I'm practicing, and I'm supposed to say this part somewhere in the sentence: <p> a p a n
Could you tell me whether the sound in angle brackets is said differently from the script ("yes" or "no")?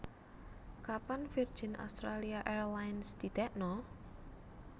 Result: yes